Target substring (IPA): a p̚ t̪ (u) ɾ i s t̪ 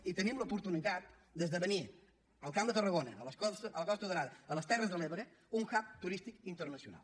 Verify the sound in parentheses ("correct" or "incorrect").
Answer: correct